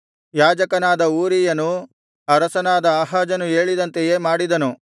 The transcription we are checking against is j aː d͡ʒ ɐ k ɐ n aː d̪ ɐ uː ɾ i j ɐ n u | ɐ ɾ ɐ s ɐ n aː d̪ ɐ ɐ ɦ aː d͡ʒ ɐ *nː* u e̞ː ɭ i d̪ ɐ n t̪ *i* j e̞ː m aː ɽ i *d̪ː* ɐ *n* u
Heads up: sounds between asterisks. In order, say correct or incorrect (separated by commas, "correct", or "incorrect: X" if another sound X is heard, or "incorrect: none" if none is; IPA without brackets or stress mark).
incorrect: n, incorrect: e, incorrect: d̪, correct